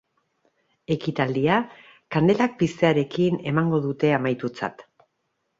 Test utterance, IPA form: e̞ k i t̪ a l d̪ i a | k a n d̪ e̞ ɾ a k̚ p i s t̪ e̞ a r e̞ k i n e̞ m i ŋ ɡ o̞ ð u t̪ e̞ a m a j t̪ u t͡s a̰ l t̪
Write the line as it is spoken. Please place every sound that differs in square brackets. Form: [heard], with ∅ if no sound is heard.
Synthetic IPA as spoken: e̞ k i t̪ a l d̪ i a | k a n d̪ e̞ [l] a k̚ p i s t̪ e̞ a [ɾ] e̞ k i n e̞ m [a] ŋ ɡ o̞ ð u t̪ e̞ a m a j t̪ u t͡s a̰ [∅] t̪